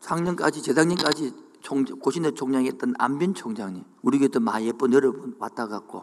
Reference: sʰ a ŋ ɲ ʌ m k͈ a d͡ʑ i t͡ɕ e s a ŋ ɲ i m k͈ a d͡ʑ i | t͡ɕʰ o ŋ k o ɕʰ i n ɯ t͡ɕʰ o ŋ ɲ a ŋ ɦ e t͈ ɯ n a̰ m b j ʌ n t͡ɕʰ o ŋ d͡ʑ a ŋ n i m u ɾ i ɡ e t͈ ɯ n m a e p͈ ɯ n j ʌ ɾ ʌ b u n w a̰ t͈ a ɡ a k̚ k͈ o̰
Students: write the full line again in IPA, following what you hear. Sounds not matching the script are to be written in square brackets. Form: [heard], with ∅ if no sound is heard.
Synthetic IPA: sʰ a ŋ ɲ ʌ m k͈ a d͡ʑ i t͡ɕ e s a ŋ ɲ i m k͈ a d͡ʑ i | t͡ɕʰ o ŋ k o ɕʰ i n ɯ t͡ɕʰ o ŋ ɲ a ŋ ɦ e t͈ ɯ n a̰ m b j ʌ n t͡ɕʰ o ŋ d͡ʑ a ŋ [ɲ] i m u ɾ i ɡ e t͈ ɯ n m a e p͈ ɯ n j ʌ ɾ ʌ b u n w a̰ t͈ a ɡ a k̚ k͈ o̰